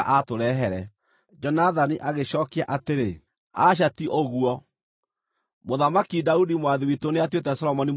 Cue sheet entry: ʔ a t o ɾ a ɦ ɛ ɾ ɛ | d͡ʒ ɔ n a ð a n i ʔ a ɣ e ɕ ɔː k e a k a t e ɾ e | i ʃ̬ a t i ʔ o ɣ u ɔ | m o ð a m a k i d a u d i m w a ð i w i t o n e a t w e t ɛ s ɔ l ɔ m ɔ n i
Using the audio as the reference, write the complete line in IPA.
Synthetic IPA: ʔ a t o ɾ ɛ ɦ ɛ ɾ ɛ | d͡ʒ ɔ n a ð a n i ʔ a ɣ e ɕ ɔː k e a ʔ a t e ɾ e | a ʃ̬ a t i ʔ o ɣ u ɔ | m o ð a m a k i d a u d i m w a ð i w i t o n e a t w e t ɛ s ɔ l ɔ m ɔ n i